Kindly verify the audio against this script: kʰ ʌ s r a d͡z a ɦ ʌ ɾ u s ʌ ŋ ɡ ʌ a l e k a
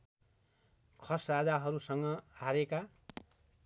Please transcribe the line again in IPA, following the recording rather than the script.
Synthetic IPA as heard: kʰ ʌ s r a d͡z a ɦ ʌ ɾ u s ʌ ŋ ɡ ʌ a ɾ e k a

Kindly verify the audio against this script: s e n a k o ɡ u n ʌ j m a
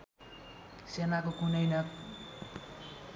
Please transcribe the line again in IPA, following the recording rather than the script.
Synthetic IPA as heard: s e n a k o k u n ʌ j n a

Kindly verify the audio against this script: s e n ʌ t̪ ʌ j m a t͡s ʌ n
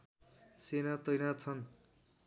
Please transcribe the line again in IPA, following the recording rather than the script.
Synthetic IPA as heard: s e n a t̪ ʌ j n a t͡sʰ ʌ n

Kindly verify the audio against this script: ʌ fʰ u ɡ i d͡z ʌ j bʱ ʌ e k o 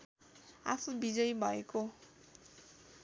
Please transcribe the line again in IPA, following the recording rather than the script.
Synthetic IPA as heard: a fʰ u b i d͡z ʌ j bʱ ʌ e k o

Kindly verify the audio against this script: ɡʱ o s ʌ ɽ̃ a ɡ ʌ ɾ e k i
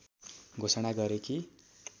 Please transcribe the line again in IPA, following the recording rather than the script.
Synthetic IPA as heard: ɡʱ o s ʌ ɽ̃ a ɡ ʌ ɾ e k i

